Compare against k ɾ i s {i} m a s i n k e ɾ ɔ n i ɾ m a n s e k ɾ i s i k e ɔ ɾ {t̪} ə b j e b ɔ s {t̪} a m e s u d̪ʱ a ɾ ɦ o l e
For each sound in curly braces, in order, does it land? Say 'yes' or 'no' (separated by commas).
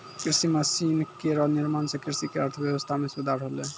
yes, no, no